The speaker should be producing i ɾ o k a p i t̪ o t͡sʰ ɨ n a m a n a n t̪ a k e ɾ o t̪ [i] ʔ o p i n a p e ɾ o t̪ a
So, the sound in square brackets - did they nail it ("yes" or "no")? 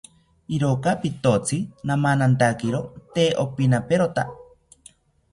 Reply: no